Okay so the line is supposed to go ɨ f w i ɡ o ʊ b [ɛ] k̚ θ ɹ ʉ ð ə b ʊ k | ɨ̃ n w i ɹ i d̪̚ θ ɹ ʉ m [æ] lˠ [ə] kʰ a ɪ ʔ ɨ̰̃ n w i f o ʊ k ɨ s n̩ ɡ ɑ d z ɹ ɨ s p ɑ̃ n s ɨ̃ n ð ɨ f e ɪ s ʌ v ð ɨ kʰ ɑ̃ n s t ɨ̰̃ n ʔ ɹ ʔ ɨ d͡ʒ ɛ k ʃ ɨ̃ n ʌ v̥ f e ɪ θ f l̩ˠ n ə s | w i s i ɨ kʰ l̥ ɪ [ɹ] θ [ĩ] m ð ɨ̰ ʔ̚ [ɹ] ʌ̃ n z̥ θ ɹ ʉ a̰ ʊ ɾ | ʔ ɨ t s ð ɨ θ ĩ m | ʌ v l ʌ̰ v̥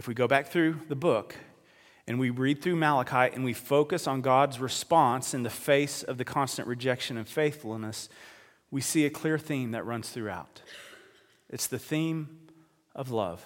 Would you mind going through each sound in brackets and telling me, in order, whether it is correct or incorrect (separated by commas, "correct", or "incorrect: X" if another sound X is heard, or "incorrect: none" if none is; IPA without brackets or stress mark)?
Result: incorrect: æ, correct, correct, correct, correct, correct